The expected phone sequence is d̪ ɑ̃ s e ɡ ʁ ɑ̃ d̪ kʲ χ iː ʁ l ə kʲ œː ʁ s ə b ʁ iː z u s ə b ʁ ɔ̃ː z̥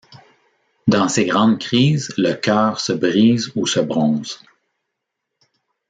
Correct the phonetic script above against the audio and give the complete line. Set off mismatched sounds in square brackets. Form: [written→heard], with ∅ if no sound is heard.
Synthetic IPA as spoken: d̪ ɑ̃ s e ɡ ʁ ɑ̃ d̪ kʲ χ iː [ʁ→z] l ə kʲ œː ʁ s ə b ʁ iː z u s ə b ʁ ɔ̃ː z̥